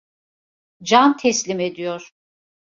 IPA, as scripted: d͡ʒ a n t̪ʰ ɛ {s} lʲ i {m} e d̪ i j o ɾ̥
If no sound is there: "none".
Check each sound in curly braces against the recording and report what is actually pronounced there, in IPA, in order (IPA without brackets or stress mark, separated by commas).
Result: s, m